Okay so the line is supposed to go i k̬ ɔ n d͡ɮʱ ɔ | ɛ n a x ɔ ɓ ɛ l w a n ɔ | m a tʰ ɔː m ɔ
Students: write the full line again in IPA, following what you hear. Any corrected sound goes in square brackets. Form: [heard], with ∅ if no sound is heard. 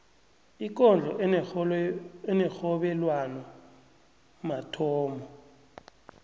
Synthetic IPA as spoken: i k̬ ɔ n d͡ɮʱ ɔ | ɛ n [ɛ] x ɔ ɓ ɛ l w a n ɔ | m a tʰ ɔː m ɔ

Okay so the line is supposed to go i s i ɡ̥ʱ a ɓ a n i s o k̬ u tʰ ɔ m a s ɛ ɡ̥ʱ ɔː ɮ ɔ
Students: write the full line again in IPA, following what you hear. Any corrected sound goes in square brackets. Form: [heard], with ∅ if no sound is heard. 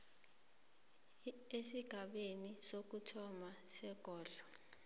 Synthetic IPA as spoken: [e] s i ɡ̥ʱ a ɓ [e] n i s o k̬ u tʰ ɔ m a s ɛ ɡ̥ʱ ɔː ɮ ɔ

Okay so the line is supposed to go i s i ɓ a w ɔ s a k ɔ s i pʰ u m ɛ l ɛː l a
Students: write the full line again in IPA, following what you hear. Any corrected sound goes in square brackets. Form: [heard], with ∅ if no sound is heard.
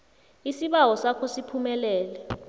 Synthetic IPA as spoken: i s i ɓ a w ɔ s a [kʰ] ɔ s i pʰ u m ɛ l ɛː l [ɛ]

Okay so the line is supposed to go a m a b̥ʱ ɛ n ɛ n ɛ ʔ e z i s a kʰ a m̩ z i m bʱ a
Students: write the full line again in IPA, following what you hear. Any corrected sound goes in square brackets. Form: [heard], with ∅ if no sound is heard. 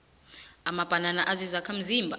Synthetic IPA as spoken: a m a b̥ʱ [a] n [a] n [a] ʔ [a] z i [z] a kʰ a m̩ z i m bʱ a

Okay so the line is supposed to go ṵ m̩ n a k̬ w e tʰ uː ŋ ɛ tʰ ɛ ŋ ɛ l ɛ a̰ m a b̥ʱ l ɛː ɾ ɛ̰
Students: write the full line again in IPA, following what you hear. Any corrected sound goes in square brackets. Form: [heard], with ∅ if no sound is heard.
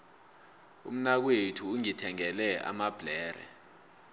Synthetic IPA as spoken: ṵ m̩ n a k̬ w e tʰ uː ŋ [i] tʰ ɛ ŋ ɛ l ɛ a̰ m a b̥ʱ l ɛː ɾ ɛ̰

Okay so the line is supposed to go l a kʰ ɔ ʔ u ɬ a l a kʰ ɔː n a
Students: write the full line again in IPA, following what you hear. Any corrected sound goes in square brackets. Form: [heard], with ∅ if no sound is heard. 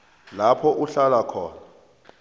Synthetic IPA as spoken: l a [pʰ] ɔ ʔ u ɬ a l a kʰ ɔː n a

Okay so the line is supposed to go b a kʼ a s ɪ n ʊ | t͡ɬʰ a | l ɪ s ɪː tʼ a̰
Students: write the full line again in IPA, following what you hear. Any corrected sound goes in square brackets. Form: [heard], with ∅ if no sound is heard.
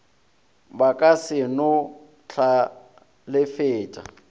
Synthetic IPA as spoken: b a kʼ a s ɪ n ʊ | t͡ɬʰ a | l ɪ [f] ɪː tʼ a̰

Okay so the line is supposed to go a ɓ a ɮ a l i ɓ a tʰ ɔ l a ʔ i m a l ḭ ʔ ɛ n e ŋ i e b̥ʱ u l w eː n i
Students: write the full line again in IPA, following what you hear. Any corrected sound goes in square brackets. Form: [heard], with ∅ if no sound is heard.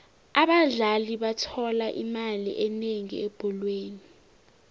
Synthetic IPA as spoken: a ɓ a ɮ a l i ɓ a tʰ ɔ l a ʔ i m a l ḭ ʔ ɛ n e ŋ i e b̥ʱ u l w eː n i

